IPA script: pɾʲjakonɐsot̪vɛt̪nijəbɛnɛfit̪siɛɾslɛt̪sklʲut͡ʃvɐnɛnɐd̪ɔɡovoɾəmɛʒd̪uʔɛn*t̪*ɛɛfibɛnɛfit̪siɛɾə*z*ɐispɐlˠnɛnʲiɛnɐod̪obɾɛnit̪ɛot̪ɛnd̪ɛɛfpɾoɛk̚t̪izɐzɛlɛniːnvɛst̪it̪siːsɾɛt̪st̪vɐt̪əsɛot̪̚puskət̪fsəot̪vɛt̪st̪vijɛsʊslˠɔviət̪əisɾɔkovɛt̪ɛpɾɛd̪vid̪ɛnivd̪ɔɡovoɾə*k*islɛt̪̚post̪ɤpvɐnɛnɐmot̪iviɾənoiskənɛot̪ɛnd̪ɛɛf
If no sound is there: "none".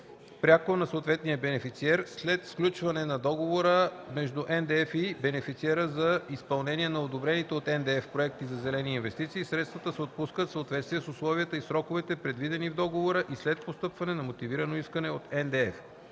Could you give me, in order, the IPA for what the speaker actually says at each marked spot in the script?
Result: d̪, z, ʔ

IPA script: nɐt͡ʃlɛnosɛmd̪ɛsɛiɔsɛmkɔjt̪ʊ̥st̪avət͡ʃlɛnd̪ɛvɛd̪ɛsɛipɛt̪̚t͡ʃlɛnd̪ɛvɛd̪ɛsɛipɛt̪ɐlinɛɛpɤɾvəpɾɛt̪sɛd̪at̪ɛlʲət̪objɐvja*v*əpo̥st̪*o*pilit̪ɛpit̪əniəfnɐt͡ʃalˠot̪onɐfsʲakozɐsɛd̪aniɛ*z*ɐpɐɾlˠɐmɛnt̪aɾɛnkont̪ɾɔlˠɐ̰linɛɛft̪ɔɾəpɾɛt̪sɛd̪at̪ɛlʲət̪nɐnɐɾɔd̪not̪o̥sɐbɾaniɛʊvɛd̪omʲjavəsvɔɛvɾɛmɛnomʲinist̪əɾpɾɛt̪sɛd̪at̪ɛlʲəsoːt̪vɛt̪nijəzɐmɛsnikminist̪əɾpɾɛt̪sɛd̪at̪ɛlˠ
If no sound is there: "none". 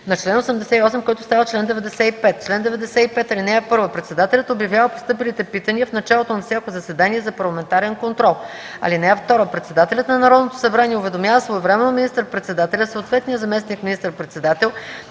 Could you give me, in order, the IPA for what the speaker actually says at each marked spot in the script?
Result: v, ɤ, z

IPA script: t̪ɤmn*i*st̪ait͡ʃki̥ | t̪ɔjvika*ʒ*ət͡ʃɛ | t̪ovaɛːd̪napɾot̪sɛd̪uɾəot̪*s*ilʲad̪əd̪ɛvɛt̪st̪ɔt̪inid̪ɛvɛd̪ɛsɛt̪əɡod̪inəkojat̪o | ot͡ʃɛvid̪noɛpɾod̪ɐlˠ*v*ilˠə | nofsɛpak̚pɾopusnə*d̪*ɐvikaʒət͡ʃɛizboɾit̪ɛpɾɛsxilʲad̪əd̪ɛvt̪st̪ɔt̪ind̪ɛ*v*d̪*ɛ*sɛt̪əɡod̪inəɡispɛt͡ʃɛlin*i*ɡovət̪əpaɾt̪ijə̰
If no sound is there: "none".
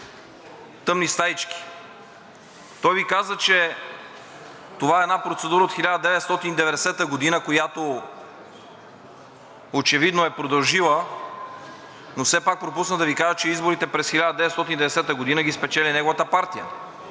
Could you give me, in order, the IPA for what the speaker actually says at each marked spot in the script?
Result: i, z, x, ʒ, d̪, v, ɛ, ɛ

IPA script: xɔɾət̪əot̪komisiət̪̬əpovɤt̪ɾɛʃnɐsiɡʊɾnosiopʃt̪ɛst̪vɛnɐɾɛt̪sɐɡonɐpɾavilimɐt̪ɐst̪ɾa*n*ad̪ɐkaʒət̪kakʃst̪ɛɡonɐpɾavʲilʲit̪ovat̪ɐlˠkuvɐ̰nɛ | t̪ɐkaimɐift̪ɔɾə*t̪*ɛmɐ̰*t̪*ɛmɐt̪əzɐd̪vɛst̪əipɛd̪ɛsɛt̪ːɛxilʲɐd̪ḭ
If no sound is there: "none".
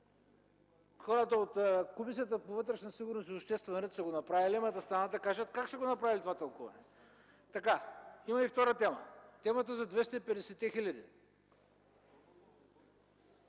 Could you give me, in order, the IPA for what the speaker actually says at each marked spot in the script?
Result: n, t̪, t̪

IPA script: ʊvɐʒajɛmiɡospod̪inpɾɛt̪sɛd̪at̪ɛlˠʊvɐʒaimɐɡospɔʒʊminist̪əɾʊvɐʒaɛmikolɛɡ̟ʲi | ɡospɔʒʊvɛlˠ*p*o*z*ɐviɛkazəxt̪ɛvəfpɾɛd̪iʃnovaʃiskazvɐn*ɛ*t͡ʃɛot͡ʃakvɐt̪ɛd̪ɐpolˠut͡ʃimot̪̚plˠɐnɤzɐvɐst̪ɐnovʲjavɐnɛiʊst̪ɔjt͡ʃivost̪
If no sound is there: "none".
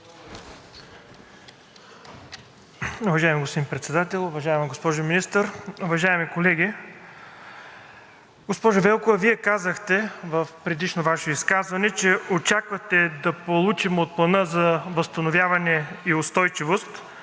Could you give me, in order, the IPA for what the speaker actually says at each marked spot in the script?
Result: k, v, ɛ

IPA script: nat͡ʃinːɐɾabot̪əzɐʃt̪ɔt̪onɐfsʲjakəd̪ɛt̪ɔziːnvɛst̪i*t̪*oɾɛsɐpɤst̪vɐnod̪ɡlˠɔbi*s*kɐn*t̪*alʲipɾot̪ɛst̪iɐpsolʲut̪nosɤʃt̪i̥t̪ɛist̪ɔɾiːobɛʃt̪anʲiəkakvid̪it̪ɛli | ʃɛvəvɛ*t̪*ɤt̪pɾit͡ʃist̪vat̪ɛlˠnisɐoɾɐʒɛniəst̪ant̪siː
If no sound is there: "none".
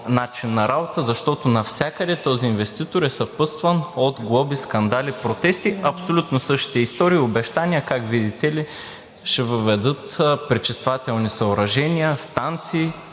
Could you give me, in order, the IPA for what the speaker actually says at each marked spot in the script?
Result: t̪, s, d̪, d̪

